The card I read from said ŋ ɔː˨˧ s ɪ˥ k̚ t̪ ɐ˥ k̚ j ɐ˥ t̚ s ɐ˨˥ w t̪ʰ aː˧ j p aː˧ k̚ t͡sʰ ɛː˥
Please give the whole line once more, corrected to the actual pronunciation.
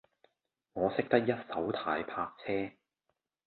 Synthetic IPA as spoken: ŋ ɔː˨˧ s ɪ˥ k̚ t̪ ɐ˥ k̚ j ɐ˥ t̚ s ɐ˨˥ w t̪ʰ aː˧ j pʰ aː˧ k̚ t͡sʰ ɛː˥